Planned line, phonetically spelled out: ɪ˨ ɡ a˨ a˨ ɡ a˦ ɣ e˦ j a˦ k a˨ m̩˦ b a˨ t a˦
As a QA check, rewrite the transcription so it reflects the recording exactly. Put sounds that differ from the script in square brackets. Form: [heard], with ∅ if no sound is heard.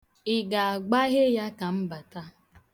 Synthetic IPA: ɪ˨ ɡ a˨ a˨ [ɡ͡b] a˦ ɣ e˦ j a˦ k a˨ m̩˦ b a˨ t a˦